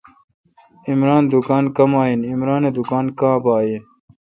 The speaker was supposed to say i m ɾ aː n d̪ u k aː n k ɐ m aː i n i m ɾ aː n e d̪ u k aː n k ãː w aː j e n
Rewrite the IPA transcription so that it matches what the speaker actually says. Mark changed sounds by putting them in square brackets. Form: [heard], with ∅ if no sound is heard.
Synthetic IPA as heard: i m ɾ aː n d̪ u k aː n k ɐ m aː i n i m ɾ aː n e d̪ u k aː n k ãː [b] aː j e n